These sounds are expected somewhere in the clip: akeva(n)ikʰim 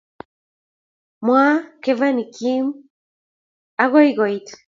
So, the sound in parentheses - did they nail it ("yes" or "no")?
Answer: yes